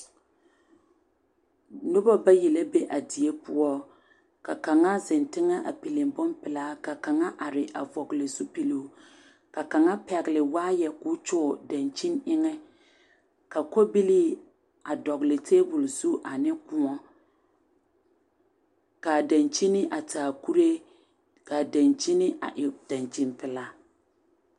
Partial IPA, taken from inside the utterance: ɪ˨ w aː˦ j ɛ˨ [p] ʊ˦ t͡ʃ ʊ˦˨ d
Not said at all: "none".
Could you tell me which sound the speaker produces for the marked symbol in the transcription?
k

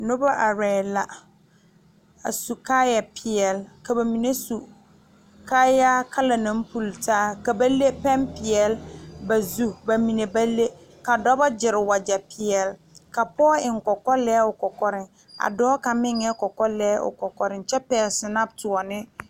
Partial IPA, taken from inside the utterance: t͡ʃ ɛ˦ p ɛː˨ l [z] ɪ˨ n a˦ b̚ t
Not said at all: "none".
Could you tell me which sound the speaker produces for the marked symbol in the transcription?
s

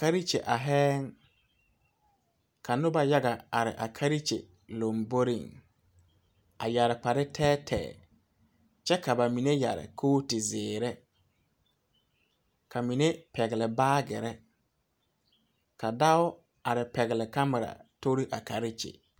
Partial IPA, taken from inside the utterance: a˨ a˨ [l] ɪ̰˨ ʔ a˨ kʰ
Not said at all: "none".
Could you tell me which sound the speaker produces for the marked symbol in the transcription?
ɾ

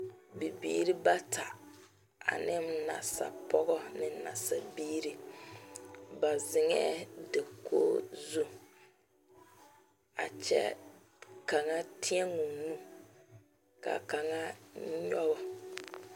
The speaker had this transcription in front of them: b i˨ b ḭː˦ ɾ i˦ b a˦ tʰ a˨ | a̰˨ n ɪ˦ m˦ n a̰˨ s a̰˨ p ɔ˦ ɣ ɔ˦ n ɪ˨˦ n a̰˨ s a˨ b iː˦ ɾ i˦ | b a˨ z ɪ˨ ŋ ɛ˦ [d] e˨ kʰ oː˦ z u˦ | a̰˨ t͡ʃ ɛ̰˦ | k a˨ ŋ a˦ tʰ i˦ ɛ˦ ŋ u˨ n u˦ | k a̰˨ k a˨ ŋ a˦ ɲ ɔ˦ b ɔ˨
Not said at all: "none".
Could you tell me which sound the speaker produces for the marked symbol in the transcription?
d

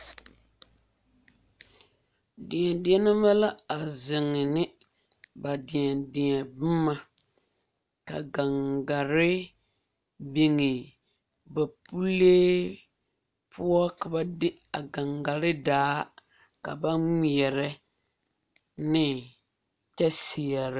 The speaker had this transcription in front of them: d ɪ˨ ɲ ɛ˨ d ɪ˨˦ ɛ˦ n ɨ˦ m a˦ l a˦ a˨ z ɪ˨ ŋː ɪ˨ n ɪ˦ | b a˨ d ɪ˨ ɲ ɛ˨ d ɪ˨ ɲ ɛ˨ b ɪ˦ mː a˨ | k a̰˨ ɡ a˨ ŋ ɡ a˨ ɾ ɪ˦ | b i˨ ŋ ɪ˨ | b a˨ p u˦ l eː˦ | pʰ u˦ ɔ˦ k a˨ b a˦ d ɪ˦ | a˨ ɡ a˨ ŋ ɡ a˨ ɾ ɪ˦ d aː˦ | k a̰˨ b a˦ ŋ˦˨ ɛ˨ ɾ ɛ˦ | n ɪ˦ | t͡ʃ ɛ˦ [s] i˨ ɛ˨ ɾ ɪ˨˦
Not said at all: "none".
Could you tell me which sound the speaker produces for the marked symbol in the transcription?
s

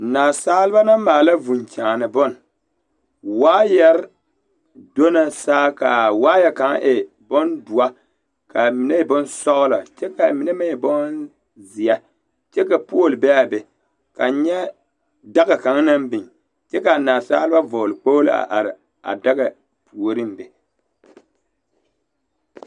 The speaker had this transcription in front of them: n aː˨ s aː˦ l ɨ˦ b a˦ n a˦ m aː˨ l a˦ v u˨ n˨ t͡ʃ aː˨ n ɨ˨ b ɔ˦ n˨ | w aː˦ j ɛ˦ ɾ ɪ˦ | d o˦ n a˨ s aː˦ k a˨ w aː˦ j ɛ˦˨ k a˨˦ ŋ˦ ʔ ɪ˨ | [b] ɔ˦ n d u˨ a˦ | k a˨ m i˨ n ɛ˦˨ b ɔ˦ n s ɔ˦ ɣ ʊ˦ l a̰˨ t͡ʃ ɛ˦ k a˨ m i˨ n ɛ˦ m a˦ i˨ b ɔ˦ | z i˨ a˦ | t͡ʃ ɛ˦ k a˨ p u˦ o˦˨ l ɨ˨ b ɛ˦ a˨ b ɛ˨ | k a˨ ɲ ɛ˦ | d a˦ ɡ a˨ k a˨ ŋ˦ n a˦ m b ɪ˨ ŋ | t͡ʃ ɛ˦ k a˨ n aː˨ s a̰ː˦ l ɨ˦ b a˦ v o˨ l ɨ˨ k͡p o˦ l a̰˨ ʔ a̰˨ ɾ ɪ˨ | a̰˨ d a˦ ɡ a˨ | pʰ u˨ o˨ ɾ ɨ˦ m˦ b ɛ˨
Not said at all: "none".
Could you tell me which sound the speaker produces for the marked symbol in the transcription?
b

